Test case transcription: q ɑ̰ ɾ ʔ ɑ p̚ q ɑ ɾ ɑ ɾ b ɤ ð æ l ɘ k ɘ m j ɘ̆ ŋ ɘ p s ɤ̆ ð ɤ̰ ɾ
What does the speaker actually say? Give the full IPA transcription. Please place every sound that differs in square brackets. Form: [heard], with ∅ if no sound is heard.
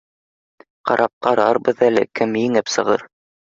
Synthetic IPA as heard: q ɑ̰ ɾ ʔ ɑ p̚ q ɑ ɾ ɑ ɾ b ɤ ð æ l ɘ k ɘ m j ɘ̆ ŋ ɘ p s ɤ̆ [ʁ] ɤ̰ ɾ